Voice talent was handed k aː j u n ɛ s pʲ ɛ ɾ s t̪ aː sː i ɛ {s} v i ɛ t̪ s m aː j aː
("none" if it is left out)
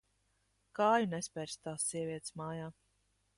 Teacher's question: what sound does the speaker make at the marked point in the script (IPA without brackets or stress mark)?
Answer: none